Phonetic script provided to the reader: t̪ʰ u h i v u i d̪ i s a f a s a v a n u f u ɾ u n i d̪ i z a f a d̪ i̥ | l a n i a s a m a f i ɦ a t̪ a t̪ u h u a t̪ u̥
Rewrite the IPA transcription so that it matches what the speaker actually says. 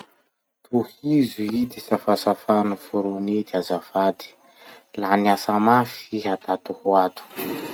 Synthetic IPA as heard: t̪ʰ u h i z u i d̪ i s a f a s a f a n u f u ɾ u n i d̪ a z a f a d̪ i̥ | l a n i a s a m a f i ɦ a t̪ a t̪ u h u a t̪ u̥